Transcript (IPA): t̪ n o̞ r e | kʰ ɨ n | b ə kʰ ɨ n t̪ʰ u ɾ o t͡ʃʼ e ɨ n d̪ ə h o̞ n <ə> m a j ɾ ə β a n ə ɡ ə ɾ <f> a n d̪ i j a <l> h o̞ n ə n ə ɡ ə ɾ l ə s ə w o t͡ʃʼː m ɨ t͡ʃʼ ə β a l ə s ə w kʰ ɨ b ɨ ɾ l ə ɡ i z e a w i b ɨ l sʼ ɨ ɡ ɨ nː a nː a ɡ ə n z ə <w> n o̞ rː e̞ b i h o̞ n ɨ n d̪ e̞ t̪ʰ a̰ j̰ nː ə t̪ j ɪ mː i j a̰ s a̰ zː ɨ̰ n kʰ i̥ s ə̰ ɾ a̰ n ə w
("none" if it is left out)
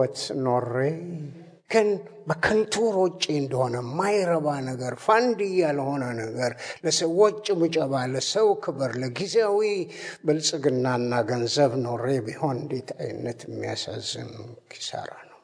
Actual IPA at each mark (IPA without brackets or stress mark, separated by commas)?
ə, f, l, β